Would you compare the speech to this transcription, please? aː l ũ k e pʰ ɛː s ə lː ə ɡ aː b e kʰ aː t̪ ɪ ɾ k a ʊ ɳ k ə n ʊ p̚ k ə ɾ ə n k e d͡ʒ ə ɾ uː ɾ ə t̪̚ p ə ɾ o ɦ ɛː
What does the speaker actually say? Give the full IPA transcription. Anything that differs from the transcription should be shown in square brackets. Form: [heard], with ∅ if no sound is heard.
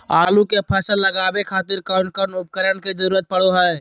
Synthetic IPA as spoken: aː l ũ k e pʰ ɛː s ə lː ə ɡ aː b e kʰ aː t̪ ɪ ɾ k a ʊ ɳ k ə n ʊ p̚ k ə ɾ ə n k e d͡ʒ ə ɾ uː ɾ ə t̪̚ p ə [ɽ] o ɦ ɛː